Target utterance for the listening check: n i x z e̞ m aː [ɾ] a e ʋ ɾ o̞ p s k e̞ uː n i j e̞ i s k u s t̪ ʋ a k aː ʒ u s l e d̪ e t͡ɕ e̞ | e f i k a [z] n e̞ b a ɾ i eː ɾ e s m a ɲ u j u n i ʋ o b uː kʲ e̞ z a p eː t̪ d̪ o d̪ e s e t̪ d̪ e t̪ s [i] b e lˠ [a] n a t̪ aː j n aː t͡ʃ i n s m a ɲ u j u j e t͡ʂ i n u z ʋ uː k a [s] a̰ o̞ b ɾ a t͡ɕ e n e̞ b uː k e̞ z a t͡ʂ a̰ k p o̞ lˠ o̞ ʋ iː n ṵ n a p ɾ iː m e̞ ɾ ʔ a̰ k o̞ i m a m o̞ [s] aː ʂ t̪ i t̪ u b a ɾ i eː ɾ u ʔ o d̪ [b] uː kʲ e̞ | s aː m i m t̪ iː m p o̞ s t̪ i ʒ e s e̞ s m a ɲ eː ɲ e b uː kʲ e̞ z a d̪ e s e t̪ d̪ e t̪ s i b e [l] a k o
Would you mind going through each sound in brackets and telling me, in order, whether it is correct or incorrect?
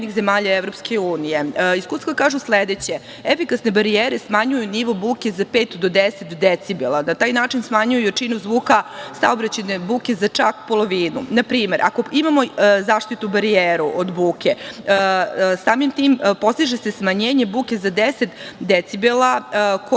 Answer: incorrect: ʎ, incorrect: s, correct, correct, correct, incorrect: z, correct, correct

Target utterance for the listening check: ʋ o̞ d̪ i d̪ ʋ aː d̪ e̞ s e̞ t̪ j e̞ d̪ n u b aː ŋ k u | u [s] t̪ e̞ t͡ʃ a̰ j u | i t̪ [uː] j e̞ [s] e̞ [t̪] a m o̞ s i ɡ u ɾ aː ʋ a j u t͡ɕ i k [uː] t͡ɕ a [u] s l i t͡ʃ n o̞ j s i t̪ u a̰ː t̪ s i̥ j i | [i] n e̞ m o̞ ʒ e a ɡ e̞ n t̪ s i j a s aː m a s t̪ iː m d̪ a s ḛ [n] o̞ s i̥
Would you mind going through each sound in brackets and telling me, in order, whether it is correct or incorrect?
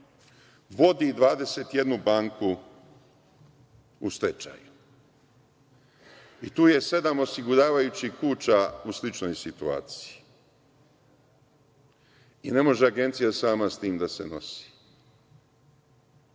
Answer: correct, correct, correct, incorrect: d̪, correct, correct, correct, correct

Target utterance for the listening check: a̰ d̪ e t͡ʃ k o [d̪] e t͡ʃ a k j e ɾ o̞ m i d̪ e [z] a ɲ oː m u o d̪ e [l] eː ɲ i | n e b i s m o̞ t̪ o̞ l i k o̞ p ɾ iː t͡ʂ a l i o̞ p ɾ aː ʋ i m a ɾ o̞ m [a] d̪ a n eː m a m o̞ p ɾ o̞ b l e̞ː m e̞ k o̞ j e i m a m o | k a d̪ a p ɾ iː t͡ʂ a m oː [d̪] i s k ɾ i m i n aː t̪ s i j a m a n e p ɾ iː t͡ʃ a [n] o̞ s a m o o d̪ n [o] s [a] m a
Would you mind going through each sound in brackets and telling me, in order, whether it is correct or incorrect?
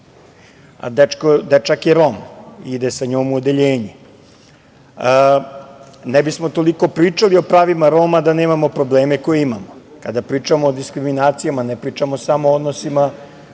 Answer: correct, incorrect: s, incorrect: ʎ, correct, correct, incorrect: m, correct, incorrect: i

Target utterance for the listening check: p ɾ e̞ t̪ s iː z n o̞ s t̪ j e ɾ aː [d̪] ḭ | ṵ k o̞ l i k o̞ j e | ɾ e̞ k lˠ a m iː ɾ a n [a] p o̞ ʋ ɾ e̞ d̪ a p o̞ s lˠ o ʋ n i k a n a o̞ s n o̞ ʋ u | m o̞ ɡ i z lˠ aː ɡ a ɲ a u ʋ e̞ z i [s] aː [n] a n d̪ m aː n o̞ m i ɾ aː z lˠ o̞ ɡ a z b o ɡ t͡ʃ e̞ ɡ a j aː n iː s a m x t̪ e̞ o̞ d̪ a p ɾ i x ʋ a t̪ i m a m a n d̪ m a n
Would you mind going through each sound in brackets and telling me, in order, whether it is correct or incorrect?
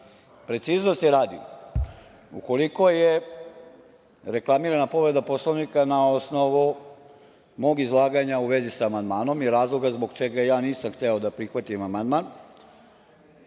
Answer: correct, correct, correct, incorrect: m

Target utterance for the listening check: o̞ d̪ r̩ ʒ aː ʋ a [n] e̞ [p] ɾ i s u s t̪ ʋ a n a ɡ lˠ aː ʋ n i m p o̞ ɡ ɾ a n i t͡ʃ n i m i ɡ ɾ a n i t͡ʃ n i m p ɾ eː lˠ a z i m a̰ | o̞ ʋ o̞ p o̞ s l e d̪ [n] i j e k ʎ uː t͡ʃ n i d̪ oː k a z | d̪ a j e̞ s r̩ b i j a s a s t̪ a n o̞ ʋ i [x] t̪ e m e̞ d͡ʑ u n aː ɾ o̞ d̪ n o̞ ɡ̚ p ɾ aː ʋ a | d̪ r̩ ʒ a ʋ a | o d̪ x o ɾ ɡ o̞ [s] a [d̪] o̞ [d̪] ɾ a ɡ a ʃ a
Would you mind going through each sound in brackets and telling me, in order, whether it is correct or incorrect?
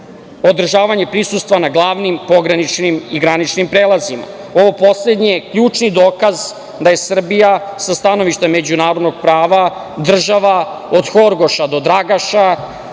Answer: incorrect: ɲ, correct, incorrect: ɲ, incorrect: ʃ, incorrect: ʃ, correct, correct

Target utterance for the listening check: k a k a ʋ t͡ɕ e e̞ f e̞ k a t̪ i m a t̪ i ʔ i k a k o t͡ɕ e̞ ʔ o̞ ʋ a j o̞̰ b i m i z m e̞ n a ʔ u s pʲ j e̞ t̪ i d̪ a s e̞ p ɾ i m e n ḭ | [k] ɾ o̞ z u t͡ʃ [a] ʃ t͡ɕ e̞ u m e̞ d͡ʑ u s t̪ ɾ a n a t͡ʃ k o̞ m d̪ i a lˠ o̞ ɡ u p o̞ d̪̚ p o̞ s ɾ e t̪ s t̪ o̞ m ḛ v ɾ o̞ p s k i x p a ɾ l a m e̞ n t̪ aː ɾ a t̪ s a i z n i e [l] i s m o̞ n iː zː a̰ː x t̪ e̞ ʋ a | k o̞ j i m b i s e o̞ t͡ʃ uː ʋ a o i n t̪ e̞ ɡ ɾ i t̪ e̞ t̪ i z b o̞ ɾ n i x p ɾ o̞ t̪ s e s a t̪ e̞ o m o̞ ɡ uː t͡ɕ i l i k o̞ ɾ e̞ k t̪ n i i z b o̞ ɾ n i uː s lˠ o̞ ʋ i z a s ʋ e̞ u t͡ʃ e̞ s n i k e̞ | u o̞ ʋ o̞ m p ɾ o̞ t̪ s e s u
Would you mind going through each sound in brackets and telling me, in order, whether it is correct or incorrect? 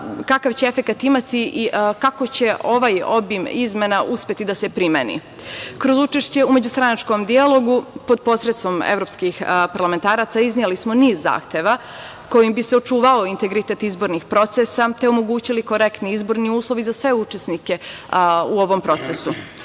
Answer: correct, incorrect: e, correct

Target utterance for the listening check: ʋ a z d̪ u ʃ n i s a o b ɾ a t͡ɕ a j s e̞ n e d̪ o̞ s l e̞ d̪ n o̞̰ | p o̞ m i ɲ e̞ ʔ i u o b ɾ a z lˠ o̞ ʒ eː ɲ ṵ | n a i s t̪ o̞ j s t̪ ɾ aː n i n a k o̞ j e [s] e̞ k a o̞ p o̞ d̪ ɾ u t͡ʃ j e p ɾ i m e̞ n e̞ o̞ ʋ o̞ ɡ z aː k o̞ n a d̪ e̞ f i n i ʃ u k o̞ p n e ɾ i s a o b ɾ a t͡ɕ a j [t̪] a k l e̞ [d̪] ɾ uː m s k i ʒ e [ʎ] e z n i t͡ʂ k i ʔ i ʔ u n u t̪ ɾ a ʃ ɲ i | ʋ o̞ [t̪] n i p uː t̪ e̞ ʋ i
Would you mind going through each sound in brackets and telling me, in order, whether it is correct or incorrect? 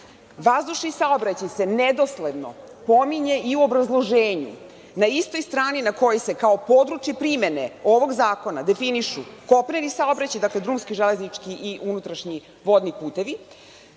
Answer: correct, incorrect: d̪, correct, incorrect: l, incorrect: d̪

